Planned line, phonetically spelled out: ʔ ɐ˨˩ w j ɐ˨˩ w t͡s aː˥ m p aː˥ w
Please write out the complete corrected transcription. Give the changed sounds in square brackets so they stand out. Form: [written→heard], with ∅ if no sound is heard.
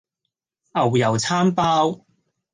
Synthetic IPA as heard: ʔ ɐ˨˩ w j ɐ˨˩ w [t͡s→t͡sʰ] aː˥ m p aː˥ w